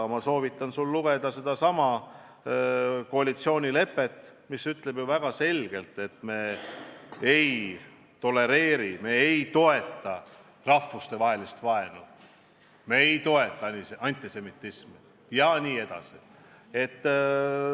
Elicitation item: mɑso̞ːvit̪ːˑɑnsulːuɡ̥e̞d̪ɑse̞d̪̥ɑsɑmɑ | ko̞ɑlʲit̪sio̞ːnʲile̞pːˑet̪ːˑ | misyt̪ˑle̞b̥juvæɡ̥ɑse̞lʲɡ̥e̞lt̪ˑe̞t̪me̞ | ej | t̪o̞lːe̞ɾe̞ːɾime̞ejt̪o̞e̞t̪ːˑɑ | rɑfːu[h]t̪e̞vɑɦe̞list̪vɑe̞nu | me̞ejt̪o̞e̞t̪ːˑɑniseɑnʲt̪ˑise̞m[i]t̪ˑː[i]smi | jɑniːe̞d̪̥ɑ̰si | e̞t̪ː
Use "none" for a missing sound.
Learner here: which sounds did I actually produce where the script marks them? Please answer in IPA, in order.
s, i, i

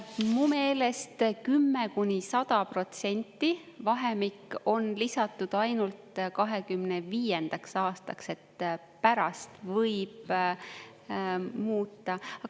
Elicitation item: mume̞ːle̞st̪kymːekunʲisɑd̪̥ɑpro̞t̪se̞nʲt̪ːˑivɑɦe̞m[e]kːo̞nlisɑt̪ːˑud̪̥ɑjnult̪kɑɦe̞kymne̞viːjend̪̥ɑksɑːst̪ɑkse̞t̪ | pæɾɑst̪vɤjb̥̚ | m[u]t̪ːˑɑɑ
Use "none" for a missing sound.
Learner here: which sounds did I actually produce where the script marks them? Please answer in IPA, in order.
i, uː

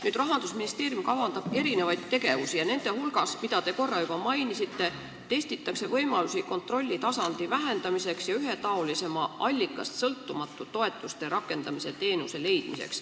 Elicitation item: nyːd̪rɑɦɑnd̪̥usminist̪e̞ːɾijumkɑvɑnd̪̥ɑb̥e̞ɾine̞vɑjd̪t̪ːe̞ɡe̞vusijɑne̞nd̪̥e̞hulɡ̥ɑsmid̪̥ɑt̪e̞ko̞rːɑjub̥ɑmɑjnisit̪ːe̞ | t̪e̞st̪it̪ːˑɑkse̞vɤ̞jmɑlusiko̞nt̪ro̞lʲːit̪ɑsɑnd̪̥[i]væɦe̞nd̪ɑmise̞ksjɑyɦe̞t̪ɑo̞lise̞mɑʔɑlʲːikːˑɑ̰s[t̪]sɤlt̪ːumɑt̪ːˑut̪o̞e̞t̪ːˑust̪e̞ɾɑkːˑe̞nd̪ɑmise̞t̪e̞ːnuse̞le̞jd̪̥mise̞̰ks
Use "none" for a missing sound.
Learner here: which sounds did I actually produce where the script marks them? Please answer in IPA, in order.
i, t̪

